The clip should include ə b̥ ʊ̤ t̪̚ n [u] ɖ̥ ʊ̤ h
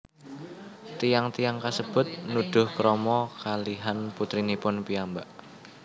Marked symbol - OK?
yes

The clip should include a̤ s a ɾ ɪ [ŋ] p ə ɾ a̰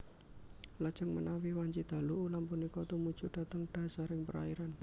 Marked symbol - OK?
yes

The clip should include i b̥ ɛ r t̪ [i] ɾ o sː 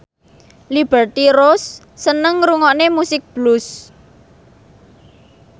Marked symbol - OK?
yes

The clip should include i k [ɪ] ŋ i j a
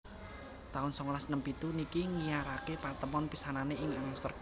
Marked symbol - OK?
no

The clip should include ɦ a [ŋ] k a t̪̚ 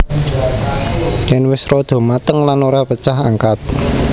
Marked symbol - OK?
yes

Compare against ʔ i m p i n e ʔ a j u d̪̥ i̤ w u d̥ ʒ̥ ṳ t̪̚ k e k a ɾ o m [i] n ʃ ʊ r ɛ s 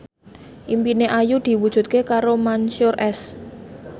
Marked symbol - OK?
no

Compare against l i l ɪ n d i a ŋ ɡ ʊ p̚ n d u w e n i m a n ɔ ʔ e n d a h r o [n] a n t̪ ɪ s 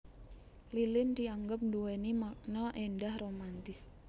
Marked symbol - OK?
no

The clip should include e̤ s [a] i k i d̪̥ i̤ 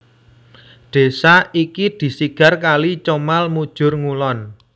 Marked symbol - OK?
yes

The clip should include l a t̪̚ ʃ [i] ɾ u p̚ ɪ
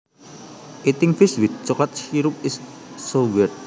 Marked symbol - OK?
yes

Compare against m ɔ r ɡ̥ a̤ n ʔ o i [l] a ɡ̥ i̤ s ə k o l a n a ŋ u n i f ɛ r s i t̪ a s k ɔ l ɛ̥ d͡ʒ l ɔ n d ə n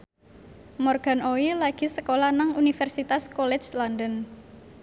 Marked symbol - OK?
yes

